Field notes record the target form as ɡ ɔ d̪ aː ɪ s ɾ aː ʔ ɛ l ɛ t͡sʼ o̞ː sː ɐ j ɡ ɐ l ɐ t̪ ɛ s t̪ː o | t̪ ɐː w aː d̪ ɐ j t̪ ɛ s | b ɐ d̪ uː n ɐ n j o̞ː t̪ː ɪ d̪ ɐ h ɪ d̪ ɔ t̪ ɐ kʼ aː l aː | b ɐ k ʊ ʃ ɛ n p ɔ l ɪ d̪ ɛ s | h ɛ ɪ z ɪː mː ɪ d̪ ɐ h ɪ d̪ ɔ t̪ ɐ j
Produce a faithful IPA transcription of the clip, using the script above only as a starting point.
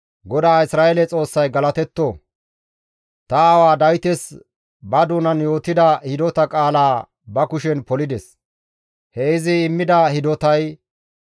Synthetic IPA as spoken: ɡ ɔ d̪ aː ɪ s ɾ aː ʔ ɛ l ɛ t͡sʼ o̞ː sː ɐ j ɡ ɐ l ɐ t̪ ɛ t̪ː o | t̪ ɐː w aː d̪ ɐ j t̪ ɛ s | b ɐ d̪ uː n ɐ n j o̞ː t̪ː ɪ d̪ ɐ h ɪ d̪ ɔ t̪ ɐ kʼ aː l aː | b ɐ k ʊ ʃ ɛ n p ɔ l ɪ d̪ ɛ s | h ɛ ɪ z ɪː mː ɪ d̪ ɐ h ɪ d̪ ɔ t̪ ɐ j